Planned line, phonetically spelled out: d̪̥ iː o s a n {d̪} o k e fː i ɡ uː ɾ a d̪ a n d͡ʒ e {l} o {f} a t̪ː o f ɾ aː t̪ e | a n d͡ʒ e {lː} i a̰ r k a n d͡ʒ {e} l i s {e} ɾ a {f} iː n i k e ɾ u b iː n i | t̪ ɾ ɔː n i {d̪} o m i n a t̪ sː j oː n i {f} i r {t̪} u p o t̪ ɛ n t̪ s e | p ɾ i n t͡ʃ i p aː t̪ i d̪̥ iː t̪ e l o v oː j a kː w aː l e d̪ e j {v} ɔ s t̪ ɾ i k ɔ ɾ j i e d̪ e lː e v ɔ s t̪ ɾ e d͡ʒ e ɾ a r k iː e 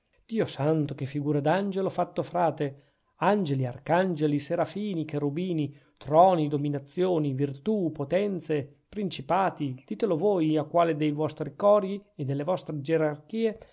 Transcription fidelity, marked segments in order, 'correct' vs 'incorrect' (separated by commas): incorrect, correct, correct, incorrect, correct, correct, correct, correct, incorrect, correct, correct